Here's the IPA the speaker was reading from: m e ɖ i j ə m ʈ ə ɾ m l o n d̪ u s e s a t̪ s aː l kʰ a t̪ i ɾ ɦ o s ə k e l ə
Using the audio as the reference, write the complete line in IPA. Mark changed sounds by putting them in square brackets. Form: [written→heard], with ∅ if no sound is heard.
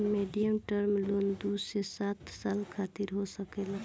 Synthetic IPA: m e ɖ i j ə m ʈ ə ɾ m l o n d̪ u s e s a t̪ s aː l kʰ a t̪ i ɾ ɦ o s ə k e l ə